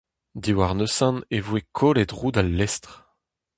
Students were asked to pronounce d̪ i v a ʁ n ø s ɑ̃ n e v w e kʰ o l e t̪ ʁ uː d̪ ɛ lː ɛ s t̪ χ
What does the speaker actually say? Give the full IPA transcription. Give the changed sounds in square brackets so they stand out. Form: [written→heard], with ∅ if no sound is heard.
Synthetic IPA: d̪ i [v→w] a ʁ n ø s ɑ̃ n e v w e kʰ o l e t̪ ʁ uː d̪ [ɛ→a] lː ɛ s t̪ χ